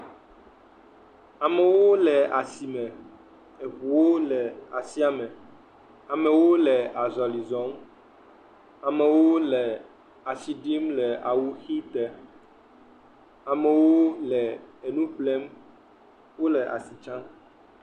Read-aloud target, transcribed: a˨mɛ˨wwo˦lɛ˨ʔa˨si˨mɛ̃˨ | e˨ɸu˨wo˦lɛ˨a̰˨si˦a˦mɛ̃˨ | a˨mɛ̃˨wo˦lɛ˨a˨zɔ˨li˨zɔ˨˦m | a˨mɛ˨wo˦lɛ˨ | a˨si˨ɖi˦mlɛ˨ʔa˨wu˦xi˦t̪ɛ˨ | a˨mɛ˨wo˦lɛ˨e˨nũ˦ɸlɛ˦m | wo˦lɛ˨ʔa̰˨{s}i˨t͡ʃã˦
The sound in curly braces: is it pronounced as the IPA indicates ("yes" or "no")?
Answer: yes